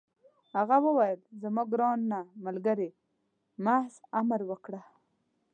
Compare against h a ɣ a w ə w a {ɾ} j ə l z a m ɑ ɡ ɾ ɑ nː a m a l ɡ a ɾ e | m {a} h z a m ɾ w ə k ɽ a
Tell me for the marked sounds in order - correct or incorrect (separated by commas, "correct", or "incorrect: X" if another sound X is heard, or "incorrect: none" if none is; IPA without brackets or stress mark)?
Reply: incorrect: none, correct